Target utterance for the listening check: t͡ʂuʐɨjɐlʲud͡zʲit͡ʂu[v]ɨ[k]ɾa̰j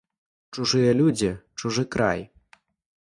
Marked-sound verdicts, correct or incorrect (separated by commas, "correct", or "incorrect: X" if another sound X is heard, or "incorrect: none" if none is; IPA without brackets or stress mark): incorrect: ʐ, correct